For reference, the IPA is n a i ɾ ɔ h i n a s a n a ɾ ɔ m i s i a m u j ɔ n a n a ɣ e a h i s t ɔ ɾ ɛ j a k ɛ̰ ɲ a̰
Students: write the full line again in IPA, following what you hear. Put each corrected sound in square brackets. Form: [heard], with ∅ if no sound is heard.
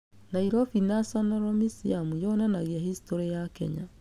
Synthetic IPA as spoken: n a i ɾ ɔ [f] i n a s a n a ɾ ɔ m i s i a m u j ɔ n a n a ɣ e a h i s t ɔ ɾ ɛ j a k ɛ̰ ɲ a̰